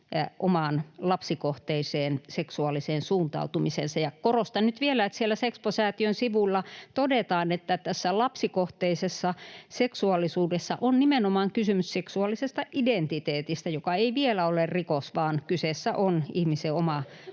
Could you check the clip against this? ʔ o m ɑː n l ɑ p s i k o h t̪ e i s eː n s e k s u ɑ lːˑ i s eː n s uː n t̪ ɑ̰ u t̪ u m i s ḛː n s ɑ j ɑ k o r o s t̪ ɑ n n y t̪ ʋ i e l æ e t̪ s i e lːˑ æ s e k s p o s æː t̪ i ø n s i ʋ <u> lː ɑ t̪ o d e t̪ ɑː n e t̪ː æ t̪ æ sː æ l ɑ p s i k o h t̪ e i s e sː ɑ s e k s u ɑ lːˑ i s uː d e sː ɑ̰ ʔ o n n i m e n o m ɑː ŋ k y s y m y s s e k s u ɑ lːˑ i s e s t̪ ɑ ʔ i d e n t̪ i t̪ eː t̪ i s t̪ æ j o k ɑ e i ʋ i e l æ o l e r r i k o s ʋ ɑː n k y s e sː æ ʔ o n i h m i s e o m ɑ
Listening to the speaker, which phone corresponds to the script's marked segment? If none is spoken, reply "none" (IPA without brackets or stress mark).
u